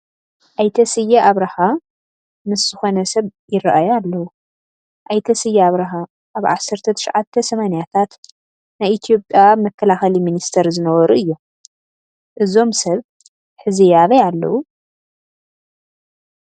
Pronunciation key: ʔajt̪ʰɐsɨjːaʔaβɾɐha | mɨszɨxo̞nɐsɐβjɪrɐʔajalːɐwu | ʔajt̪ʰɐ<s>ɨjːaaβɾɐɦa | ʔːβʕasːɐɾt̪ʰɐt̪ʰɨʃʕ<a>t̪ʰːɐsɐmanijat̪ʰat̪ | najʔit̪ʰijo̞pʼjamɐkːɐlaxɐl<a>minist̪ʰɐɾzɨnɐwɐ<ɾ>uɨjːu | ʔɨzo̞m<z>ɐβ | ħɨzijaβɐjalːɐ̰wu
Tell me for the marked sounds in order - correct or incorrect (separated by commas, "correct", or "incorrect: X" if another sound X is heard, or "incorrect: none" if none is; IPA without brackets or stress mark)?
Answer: correct, correct, incorrect: i, correct, incorrect: s